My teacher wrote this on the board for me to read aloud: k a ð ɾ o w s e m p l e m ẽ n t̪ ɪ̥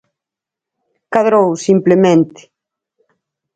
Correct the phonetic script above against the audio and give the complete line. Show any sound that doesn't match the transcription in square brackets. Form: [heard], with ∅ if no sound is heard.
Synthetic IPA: k a ð ɾ o w s [i] m p l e m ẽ n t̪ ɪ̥